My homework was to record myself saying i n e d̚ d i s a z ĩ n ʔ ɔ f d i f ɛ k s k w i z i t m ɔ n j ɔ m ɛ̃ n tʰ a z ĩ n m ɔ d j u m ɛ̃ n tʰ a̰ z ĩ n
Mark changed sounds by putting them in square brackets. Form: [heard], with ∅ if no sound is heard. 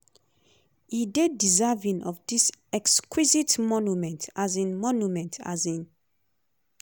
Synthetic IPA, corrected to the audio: i [d] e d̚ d i [z] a [v] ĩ n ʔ ɔ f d i [s] ɛ k s k w i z i t m ɔ n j [u] m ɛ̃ n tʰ a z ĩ n m ɔ [n] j u m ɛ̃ n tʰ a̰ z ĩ n